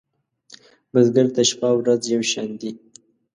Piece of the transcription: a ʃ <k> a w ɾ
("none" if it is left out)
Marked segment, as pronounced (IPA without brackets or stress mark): p